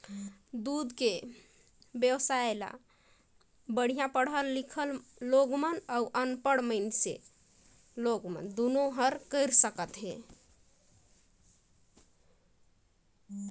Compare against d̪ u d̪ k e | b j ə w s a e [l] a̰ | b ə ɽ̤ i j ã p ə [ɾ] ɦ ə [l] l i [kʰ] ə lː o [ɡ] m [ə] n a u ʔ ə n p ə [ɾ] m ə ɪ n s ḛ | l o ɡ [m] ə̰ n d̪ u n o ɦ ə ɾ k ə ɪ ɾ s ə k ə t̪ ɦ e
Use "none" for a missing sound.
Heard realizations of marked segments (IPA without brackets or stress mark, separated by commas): l, ɽ, l, kʰ, ɡ, ə, ɽ, m